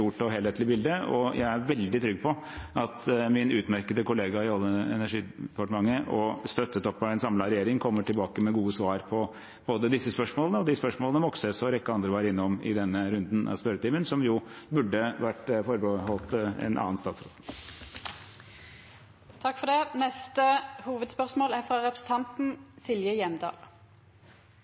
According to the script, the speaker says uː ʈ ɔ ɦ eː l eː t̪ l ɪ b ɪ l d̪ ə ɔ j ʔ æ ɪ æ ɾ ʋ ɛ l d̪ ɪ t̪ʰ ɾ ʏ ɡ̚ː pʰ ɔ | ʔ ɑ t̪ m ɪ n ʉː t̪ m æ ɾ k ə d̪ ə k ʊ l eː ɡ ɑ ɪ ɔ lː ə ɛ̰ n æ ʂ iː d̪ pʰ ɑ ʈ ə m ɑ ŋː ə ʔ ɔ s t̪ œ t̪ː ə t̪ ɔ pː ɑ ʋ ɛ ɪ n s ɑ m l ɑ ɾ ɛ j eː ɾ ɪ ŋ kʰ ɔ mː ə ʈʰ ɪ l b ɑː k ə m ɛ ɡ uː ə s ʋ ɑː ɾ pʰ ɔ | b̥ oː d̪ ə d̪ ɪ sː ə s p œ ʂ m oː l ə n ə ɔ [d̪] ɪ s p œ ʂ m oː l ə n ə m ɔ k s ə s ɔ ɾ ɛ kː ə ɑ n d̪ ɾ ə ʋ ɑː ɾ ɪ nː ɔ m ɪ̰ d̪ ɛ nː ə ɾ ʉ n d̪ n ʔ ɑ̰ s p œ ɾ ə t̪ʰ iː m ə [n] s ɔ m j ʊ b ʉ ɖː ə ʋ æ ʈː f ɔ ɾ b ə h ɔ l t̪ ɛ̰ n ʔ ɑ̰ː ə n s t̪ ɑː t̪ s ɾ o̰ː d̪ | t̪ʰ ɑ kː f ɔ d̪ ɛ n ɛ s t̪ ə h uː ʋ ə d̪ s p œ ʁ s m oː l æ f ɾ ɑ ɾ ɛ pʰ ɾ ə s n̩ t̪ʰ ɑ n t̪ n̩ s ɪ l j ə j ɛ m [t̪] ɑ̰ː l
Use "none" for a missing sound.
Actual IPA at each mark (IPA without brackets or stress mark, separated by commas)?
d̪, n, d̪